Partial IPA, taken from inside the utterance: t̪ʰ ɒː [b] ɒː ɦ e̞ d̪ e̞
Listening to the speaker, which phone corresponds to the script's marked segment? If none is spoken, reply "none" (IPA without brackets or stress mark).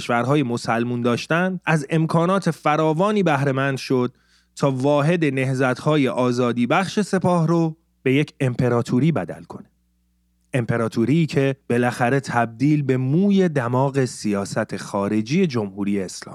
v